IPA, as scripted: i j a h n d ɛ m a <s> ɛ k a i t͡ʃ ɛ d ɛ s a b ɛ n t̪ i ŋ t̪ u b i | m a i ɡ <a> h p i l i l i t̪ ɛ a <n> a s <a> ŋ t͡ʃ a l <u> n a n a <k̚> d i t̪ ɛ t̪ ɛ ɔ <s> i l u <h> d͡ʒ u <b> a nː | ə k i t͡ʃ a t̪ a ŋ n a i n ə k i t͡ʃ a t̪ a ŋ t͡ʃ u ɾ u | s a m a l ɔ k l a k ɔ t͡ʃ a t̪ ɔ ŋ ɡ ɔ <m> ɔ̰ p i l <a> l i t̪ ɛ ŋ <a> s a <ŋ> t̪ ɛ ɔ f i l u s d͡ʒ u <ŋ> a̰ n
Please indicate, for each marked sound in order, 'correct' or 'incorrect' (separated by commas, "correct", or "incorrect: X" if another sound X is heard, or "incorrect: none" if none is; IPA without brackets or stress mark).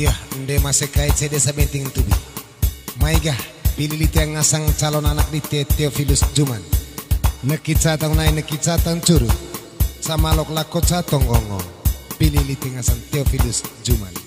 correct, correct, incorrect: ŋ, correct, incorrect: ɔ, correct, incorrect: f, incorrect: s, incorrect: m, incorrect: ŋ, incorrect: i, correct, correct, incorrect: m